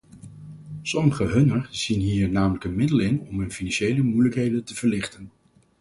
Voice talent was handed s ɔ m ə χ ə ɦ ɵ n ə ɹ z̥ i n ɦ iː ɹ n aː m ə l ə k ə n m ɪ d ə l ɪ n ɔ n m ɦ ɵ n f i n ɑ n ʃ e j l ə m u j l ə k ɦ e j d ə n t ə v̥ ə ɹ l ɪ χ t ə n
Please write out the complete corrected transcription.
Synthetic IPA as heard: s ɔ m ə χ ə ɦ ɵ n ə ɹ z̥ i n ɦ iː ɹ n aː m ə l ə k ə n m ɪ d ə l ɪ n ɔ m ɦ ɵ n f i n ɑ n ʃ e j l ə m u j l ə k ɦ e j d ə n t ə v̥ ə ɹ l ɪ χ t ə n